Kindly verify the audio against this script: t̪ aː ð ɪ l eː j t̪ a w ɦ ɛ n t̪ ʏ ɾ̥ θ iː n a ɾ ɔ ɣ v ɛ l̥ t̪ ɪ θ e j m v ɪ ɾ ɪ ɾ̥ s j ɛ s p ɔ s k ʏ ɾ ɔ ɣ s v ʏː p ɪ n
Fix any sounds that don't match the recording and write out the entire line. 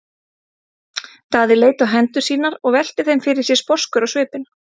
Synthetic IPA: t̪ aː ð ɪ l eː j t̪ a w ɦ ɛ n t̪ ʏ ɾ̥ s iː n a ɾ ɔ ɣ v ɛ l̥ t̪ ɪ θ e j m f ɪ ɾ ɪ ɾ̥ s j ɛ s p ɔ s k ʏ ɾ ɔ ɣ s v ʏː p ɪ n